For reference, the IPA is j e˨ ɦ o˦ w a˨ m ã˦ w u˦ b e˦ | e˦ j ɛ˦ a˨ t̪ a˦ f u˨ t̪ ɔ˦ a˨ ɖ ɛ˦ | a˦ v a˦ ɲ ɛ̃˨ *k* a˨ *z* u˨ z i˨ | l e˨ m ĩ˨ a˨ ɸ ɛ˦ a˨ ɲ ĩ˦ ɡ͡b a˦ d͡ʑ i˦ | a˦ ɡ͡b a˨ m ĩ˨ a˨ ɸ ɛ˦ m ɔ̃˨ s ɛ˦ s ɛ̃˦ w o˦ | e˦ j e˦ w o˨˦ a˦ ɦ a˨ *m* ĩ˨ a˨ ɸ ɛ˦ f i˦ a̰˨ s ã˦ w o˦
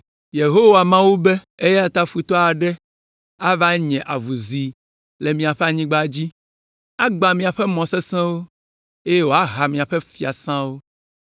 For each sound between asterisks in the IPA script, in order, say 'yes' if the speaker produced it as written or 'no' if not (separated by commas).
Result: no, no, yes